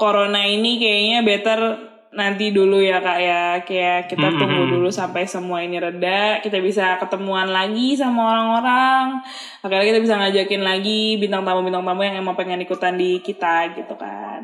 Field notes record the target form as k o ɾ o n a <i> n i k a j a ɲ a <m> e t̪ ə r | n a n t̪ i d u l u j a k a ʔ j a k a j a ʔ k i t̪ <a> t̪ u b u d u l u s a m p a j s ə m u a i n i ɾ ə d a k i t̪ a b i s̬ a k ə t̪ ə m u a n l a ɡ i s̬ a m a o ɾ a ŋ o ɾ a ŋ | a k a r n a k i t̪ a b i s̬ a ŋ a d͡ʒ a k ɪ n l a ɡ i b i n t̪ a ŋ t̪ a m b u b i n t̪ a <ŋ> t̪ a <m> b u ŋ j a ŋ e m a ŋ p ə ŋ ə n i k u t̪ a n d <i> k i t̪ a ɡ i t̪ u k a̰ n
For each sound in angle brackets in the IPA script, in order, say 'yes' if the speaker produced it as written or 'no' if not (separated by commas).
yes, no, yes, yes, yes, yes